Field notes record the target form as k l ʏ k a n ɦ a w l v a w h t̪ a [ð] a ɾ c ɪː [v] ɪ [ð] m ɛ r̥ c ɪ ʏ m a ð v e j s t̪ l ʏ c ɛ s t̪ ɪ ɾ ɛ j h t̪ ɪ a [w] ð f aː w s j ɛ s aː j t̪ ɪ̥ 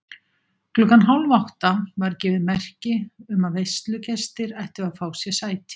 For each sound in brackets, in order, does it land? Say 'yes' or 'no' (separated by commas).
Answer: no, yes, yes, no